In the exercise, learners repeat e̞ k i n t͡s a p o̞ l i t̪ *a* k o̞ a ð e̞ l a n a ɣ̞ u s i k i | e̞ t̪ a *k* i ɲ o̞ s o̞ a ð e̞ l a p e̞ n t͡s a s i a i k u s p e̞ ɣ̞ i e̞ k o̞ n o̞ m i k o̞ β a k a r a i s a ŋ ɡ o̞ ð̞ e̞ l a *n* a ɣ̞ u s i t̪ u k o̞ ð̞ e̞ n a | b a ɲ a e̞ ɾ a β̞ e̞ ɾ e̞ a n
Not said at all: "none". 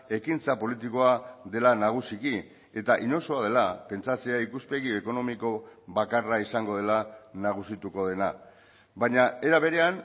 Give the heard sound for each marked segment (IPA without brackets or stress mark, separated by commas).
i, ʔ, n